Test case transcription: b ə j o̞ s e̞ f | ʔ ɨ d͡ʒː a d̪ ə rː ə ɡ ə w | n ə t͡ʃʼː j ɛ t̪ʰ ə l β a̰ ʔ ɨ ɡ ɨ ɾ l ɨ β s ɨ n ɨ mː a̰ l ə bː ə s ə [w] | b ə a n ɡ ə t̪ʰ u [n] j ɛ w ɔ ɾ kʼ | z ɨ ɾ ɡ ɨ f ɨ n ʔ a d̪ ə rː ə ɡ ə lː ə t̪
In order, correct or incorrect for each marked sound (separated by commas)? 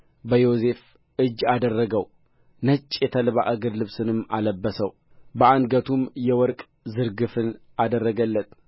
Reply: correct, incorrect